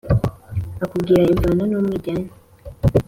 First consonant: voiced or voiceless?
voiceless